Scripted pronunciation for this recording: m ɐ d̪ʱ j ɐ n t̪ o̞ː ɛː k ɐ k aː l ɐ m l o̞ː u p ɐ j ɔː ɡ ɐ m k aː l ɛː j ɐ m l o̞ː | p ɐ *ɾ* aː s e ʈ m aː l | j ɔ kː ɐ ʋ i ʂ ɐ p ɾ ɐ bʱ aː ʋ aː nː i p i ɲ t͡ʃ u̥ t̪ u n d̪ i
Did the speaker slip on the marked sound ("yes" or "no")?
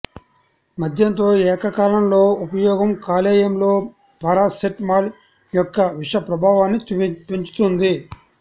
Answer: no